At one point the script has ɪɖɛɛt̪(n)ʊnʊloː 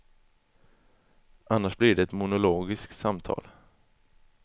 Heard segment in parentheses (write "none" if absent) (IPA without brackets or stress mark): m